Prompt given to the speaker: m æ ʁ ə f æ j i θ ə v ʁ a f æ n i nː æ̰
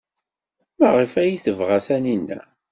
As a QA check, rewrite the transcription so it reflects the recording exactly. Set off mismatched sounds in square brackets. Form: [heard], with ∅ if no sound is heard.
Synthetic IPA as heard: m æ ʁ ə f æ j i θ ə v ʁ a [θ] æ n i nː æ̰